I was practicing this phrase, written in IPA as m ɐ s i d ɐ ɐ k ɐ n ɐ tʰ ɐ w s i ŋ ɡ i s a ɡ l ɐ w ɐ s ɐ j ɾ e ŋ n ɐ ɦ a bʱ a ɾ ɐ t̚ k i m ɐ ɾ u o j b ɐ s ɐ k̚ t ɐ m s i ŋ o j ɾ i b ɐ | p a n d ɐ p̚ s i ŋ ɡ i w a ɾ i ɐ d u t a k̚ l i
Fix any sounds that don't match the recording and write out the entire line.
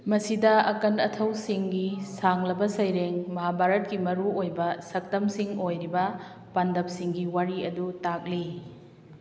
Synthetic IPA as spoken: m ɐ s i d ɐ ɐ k ɐ n ɐ tʰ ɐ w s i ŋ ɡ i s a ŋ l ɐ b ɐ s ɐ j ɾ e ŋ m ɐ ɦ a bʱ a ɾ ɐ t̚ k i m ɐ ɾ u o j b ɐ s ɐ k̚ t ɐ m s i ŋ o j ɾ i b ɐ | p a n d ɐ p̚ s i ŋ ɡ i w a ɾ i ɐ d u t a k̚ l i